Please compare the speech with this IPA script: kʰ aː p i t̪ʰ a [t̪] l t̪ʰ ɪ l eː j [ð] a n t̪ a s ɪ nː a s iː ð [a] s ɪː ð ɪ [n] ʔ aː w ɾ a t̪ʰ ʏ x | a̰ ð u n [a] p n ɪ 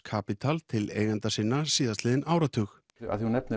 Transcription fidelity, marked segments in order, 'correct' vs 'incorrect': incorrect: none, incorrect: ɣ, correct, correct, incorrect: ɛ

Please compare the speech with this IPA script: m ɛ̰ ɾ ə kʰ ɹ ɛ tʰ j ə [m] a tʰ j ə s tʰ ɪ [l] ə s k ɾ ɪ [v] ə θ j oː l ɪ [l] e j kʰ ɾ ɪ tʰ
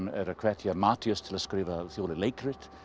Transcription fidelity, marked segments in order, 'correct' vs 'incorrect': correct, correct, correct, correct

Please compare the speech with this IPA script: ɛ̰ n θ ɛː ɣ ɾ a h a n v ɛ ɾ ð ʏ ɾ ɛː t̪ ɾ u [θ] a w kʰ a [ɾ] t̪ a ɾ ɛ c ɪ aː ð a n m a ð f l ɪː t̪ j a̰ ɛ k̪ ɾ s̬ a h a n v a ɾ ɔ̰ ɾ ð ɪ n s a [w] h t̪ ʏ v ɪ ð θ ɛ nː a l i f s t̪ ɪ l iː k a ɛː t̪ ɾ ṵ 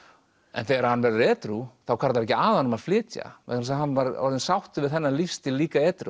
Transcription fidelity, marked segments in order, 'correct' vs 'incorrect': correct, correct, correct

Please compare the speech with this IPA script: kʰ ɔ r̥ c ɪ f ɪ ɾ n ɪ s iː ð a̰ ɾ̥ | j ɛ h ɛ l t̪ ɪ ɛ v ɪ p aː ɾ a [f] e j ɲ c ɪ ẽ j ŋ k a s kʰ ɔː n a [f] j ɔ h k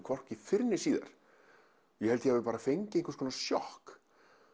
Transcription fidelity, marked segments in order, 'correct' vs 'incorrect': correct, incorrect: s

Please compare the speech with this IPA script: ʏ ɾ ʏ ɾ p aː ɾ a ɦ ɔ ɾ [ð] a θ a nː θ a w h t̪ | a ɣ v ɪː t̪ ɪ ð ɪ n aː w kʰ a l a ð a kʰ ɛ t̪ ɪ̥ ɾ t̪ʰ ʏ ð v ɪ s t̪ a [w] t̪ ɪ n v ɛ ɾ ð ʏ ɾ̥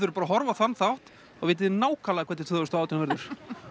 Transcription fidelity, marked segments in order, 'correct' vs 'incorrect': incorrect: v, correct

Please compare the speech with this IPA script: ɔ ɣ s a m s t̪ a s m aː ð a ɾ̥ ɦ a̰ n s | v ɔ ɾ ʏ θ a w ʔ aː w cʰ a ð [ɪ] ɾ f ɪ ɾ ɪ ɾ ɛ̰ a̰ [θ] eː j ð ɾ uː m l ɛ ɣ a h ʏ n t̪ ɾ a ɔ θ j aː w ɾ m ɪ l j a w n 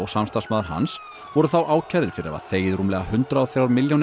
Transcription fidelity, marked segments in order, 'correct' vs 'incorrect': correct, correct

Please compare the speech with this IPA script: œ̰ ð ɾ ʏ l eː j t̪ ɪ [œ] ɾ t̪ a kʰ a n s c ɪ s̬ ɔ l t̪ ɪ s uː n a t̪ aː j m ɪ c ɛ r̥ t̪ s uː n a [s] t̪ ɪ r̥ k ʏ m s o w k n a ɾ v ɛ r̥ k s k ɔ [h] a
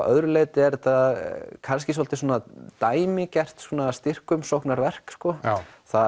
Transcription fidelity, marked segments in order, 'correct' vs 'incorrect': incorrect: ɛ, correct, incorrect: θ

